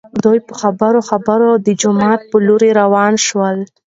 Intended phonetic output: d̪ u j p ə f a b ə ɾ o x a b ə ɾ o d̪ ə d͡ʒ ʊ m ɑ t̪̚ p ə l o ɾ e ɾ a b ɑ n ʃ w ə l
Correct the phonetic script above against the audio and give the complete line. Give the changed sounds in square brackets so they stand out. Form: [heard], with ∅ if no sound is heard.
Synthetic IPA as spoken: d̪ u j p ə [x] a b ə ɾ o x a b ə ɾ o d̪ ə d͡ʒ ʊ m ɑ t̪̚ p ə l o ɾ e ɾ a [w] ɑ n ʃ w ə l